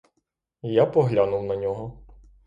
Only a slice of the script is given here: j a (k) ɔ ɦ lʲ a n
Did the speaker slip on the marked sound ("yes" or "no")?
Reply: yes